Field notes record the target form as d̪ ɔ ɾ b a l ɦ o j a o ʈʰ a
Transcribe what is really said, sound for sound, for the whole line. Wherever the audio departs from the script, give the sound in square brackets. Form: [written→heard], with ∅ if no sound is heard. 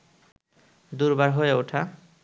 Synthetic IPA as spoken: d̪ [ɔ→u] ɾ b a [l→ɾ] ɦ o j [a→e] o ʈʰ a